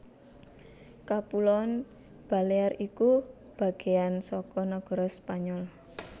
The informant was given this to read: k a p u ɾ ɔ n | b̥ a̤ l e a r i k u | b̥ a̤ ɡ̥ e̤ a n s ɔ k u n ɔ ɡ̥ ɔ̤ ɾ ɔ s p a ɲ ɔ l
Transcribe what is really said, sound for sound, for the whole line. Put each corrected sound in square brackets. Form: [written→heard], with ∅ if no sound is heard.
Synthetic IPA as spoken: k a p u [ɾ→l] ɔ n | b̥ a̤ l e a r i k u | b̥ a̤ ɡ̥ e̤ a n s ɔ k [u→ɔ] n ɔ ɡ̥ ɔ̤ ɾ ɔ s p a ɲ ɔ l